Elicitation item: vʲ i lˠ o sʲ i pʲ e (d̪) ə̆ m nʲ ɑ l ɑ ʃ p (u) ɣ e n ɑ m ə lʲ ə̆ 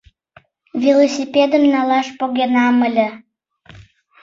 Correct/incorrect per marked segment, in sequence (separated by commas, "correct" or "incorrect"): correct, incorrect